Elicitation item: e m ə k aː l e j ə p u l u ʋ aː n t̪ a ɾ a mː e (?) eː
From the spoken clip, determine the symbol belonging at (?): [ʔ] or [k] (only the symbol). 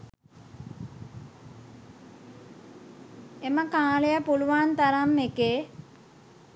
k